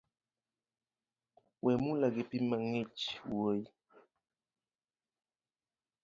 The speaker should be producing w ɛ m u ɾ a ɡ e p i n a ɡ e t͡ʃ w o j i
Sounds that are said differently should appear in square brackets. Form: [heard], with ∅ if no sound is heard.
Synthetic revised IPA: w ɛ m u [l] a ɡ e p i [m] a [ŋ] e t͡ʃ w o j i